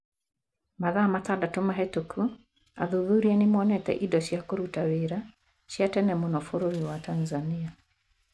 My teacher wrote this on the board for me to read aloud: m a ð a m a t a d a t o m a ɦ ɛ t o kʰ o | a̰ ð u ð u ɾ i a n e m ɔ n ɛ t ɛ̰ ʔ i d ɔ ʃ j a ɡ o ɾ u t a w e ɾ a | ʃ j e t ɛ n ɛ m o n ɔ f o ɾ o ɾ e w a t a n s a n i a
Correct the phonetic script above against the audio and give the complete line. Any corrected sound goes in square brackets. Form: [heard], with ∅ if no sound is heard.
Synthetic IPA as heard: m a ð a m a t a d a t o m a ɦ ɛ t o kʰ [u] | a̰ ð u ð u ɾ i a n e m ɔ n ɛ t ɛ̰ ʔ i d ɔ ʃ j a [k] o ɾ u t a w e ɾ a | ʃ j [a] t ɛ n ɛ m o n ɔ f o ɾ o ɾ [i] w a t a n [z] a n i a